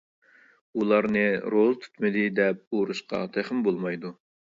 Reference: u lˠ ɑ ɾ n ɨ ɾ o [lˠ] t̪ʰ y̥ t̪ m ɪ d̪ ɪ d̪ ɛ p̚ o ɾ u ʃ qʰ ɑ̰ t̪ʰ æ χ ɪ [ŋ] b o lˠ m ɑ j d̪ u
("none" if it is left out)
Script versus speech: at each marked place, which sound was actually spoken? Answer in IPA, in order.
lˠ, m

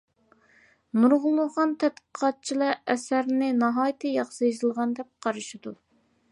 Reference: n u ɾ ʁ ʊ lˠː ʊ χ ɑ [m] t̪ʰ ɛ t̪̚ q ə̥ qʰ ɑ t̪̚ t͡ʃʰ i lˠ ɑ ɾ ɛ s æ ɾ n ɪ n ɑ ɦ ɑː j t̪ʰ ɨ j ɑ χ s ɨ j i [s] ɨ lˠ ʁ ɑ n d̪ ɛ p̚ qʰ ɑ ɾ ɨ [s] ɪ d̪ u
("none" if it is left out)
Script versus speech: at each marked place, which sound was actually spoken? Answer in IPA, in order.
n, z, ʃ

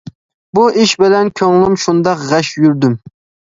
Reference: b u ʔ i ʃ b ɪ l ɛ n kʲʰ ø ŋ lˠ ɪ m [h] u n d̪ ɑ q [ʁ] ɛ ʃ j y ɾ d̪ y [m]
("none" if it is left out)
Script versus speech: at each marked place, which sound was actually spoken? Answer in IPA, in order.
ʃ, ʁ, m

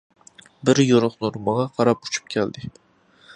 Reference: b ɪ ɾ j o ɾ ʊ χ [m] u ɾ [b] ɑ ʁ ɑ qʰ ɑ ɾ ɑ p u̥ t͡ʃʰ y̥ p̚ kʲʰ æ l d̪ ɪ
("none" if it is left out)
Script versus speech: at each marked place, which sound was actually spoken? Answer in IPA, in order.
n, m

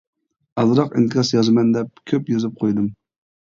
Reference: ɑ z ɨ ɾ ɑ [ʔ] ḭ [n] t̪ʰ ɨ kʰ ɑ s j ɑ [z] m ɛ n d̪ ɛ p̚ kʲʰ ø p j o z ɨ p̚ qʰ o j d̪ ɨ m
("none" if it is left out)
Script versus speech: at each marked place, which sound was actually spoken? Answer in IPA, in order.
q, n, z

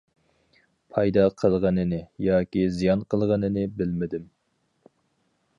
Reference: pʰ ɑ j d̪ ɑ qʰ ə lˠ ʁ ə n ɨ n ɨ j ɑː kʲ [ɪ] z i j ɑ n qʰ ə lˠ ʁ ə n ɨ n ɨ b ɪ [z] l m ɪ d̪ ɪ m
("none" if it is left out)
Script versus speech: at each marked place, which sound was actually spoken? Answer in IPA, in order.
i, none

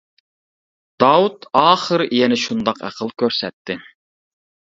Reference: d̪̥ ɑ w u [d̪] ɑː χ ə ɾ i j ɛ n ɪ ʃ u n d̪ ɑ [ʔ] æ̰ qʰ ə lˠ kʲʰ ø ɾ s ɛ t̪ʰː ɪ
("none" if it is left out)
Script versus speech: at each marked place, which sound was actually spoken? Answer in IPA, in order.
t̪, q

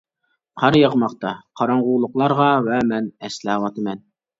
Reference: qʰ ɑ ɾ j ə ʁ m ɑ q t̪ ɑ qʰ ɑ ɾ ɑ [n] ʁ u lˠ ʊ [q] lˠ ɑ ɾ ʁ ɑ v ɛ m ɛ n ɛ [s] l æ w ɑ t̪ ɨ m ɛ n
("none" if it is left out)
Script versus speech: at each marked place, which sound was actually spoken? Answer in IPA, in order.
ɴ, q, s

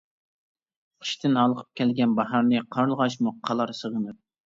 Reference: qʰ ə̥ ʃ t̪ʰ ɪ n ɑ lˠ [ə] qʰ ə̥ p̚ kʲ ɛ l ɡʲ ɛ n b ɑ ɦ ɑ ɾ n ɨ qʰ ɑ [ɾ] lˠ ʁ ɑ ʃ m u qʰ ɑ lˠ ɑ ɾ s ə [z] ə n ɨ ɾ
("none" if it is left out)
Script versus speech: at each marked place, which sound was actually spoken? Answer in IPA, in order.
ə, ɾ, ʁ

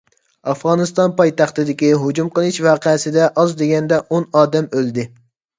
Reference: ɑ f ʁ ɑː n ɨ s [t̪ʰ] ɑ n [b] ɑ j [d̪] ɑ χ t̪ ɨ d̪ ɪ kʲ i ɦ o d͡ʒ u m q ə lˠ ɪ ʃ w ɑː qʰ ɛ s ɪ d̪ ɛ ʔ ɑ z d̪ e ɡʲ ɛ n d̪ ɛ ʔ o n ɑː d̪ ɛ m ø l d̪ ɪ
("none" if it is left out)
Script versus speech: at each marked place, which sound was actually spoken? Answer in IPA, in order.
t̪, p, t̪

